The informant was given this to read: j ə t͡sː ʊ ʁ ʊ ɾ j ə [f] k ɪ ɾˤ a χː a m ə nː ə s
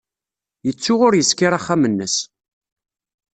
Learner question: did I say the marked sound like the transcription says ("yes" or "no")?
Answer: no